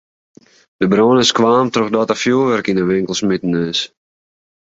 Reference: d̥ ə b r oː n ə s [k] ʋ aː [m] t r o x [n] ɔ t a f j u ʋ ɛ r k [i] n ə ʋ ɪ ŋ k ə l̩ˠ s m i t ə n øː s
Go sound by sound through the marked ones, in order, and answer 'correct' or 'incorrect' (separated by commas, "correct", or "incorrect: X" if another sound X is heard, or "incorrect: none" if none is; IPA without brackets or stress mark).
correct, correct, incorrect: d, correct